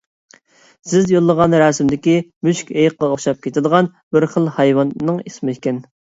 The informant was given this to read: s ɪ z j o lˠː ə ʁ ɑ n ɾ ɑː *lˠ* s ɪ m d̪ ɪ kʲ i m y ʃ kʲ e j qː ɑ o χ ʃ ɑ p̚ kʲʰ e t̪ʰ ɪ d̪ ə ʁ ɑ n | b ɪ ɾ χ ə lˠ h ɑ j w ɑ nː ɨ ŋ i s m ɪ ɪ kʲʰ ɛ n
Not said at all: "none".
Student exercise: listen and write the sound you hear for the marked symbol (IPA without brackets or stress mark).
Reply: none